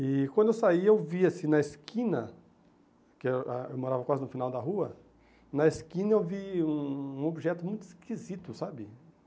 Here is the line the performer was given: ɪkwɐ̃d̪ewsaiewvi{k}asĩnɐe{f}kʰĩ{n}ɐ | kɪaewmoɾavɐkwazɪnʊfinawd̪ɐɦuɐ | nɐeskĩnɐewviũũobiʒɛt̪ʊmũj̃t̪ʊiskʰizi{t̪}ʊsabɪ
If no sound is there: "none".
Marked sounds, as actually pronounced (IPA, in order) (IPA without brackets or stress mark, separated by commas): none, s, n, t̪